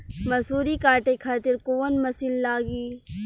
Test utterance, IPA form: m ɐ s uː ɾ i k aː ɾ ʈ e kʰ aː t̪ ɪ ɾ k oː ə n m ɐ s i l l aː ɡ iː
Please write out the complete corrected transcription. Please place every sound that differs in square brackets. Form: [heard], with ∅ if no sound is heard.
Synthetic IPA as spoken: m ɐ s uː ɾ i k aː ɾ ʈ e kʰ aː t̪ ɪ ɾ k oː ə n m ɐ s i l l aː ɡ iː